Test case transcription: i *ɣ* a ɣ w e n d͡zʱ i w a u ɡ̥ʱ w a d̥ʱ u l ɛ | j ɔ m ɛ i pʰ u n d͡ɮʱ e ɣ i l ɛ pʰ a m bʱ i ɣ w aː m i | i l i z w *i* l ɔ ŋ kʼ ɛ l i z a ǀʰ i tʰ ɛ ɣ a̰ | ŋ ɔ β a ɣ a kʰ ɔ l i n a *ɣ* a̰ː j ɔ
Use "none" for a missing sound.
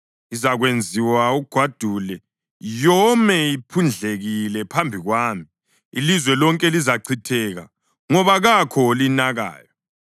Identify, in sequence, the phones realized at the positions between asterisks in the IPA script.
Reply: z, ɛ, ɣ

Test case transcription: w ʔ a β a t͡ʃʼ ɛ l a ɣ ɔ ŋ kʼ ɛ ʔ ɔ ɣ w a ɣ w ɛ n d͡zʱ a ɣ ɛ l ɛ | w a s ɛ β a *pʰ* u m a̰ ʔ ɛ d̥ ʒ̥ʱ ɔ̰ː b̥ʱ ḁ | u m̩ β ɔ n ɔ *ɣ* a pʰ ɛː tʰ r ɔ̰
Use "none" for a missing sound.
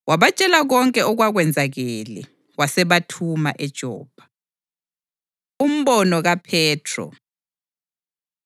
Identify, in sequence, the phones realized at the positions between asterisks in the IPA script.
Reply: tʰ, ɣ

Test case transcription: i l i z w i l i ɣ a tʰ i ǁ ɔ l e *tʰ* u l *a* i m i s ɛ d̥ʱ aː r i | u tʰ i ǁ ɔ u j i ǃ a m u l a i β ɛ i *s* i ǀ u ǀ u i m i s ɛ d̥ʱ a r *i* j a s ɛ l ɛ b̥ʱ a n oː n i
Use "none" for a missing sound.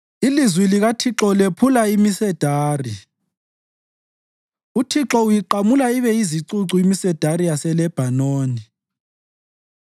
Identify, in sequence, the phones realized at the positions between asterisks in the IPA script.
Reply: pʰ, a, z, i

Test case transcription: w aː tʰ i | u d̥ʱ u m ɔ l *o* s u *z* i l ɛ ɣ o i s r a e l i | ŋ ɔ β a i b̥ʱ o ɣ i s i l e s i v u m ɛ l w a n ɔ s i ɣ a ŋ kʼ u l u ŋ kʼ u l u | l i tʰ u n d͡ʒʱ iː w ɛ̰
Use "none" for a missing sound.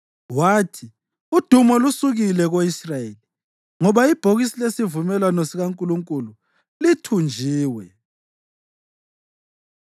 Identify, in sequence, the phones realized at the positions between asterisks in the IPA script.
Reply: u, ɣ

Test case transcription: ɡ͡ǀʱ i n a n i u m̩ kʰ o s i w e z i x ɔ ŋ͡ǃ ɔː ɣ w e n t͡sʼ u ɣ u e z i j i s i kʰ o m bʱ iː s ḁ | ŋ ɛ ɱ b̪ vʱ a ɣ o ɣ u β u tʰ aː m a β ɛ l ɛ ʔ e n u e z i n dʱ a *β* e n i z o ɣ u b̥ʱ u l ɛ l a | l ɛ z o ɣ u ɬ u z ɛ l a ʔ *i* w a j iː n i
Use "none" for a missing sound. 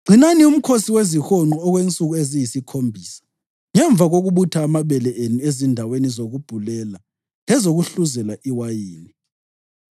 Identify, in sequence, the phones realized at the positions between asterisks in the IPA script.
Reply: w, i

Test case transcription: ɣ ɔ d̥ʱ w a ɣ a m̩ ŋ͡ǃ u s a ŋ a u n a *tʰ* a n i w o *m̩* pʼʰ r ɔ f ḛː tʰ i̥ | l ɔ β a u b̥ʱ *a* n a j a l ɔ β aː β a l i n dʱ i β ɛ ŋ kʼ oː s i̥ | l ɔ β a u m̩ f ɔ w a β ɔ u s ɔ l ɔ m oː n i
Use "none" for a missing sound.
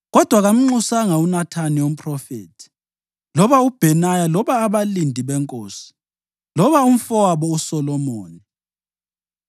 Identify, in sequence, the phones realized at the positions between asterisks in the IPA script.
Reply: tʰ, m̩, ɛ

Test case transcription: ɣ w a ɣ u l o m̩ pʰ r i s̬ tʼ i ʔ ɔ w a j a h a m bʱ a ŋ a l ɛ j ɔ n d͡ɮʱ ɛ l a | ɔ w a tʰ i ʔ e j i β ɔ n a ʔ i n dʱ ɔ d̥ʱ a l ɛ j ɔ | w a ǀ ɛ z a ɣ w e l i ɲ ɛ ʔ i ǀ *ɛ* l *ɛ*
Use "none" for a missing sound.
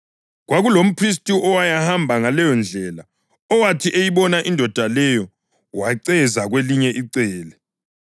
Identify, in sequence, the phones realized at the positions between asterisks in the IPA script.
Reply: ɛː, ɛ

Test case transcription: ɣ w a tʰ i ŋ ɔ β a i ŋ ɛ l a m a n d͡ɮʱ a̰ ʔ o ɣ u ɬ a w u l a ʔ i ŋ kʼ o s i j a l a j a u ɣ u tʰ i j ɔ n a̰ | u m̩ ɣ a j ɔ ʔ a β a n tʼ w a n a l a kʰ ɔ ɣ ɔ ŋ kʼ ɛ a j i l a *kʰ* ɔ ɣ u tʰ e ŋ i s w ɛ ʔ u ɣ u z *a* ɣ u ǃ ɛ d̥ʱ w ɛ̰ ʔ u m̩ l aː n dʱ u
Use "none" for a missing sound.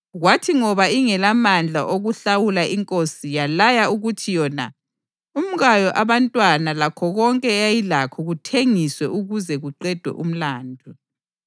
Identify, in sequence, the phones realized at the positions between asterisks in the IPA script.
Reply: kʰ, ɛ

